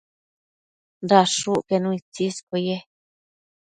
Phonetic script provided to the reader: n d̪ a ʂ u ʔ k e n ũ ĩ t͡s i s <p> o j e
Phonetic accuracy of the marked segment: incorrect: k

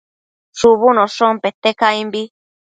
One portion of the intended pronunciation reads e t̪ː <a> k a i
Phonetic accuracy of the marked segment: incorrect: e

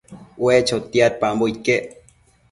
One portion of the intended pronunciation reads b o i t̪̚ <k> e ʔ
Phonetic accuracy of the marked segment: correct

